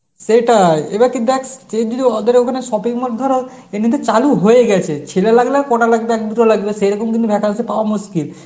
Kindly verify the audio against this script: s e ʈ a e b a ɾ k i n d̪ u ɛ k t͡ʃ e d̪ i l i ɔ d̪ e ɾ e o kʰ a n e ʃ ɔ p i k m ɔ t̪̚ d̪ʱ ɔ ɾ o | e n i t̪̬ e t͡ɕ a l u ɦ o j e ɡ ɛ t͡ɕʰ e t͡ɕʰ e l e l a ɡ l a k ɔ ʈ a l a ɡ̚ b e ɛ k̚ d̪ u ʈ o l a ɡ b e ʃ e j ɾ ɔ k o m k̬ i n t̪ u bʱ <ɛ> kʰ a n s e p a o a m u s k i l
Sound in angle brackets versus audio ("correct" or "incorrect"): correct